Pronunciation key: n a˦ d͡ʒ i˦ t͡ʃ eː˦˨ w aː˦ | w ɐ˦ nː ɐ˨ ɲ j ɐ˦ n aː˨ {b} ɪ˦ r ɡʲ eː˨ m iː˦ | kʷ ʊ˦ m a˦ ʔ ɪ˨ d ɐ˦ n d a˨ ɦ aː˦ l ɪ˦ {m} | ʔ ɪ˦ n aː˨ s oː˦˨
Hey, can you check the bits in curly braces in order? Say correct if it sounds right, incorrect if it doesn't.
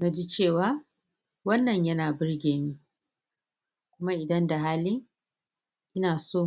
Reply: correct, incorrect: ŋ

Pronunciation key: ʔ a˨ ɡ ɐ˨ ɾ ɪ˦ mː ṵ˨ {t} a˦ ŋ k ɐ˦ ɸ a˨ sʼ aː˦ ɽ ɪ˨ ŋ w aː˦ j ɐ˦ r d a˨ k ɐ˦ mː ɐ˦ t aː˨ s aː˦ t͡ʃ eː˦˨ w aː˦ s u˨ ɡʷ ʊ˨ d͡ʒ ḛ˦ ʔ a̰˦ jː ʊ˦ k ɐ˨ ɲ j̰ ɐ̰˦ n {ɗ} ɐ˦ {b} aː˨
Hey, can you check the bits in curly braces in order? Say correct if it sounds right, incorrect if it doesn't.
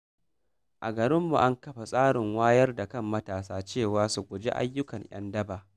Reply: incorrect: ʔ, incorrect: d, correct

